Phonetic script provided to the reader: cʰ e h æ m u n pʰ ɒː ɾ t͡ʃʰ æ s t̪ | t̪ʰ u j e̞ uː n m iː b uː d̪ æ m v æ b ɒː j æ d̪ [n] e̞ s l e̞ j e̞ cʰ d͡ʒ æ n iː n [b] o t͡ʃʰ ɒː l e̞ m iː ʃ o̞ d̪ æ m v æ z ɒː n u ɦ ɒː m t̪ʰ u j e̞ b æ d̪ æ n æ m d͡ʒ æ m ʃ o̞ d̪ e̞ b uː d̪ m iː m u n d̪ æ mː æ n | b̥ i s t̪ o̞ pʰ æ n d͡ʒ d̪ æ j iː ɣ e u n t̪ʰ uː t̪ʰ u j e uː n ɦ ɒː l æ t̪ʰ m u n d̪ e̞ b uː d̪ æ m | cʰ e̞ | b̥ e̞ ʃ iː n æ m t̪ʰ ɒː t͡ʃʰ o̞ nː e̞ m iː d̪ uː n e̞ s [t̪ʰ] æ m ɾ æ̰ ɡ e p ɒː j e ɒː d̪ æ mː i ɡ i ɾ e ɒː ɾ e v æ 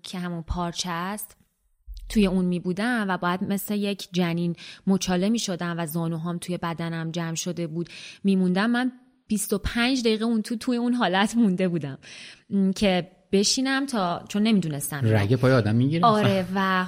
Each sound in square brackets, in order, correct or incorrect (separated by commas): incorrect, incorrect, incorrect